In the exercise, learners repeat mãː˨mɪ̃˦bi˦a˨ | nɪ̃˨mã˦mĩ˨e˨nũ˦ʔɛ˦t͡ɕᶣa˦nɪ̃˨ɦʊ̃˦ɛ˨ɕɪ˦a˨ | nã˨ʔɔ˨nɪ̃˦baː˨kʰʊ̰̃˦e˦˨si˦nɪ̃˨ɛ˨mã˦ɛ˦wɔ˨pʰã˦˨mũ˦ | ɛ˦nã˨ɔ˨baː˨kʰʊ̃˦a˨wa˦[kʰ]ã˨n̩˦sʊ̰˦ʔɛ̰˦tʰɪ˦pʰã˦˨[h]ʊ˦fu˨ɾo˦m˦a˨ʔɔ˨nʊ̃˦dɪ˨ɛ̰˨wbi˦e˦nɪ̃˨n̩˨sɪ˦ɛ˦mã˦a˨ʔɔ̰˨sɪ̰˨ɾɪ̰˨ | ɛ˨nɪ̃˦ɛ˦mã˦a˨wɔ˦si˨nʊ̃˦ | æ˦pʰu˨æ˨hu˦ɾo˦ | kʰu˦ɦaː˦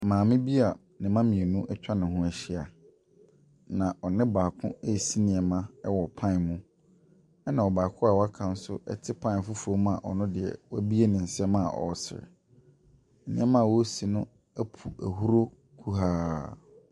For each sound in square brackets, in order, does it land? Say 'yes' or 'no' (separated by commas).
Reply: yes, no